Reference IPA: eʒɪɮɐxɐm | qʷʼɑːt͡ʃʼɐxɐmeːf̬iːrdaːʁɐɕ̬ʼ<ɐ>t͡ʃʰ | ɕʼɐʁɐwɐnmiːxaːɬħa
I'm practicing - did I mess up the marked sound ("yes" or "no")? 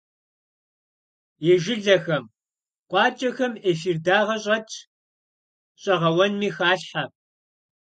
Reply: no